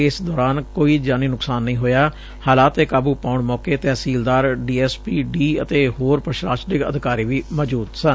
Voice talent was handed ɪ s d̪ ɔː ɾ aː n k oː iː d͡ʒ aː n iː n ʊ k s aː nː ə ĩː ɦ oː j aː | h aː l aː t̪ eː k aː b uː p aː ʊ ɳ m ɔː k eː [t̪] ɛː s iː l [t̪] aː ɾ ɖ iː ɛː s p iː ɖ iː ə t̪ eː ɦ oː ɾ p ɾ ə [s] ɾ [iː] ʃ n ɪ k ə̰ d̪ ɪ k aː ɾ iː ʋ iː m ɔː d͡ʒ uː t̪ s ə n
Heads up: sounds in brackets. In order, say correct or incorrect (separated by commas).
correct, incorrect, incorrect, incorrect